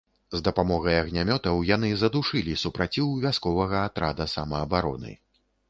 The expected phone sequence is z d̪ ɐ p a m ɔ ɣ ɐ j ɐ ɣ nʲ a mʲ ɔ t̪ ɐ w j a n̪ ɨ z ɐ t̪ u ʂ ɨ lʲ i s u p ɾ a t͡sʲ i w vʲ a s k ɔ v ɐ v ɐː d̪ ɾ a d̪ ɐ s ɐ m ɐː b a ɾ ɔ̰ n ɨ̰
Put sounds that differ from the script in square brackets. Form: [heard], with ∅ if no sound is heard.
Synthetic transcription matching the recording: z d̪ ɐ p a m ɔ ɣ ɐ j ɐ ɣ nʲ a mʲ ɔ t̪ ɐ w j a n̪ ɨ z ɐ [d̪] u ʂ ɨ lʲ i s u p ɾ a t͡sʲ i w vʲ a s k ɔ v ɐ [ɣ] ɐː [t̪] ɾ a d̪ ɐ s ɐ m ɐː b a ɾ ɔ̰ n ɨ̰